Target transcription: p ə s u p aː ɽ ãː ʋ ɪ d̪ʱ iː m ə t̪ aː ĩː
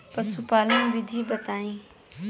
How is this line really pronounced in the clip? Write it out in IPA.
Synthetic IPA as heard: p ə s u p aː l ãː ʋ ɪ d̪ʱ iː b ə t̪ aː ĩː